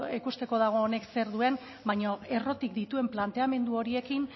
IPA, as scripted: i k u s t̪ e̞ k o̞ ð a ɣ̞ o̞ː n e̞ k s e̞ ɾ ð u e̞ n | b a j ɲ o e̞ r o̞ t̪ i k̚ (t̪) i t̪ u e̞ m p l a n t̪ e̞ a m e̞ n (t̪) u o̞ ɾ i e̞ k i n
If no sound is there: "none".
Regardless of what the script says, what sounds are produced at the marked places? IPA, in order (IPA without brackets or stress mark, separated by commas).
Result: d̪, d̪